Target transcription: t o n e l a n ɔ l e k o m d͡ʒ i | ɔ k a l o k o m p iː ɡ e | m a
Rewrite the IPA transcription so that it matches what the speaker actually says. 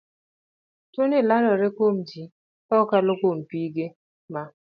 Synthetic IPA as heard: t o n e l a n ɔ ɾ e k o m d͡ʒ i | ɔ k a l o k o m p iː ɡ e | m a